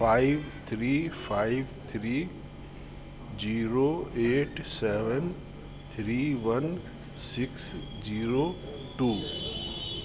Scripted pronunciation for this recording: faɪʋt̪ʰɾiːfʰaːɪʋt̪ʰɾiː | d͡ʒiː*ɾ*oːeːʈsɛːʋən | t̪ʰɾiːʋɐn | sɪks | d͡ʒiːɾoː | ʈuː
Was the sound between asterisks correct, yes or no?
yes